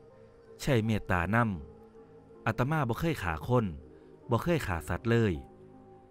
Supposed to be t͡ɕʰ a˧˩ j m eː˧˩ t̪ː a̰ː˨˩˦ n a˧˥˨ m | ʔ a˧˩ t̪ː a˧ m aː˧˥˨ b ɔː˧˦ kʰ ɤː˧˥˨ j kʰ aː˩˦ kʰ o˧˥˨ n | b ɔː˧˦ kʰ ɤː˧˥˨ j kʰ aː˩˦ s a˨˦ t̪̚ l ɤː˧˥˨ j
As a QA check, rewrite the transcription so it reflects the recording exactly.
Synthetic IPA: t͡ɕʰ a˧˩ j m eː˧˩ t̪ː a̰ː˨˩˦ n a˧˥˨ m | ʔ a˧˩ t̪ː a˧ m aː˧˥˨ b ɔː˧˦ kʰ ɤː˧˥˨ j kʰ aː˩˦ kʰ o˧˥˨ n | b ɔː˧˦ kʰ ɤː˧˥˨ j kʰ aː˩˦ s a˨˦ t̪̚ l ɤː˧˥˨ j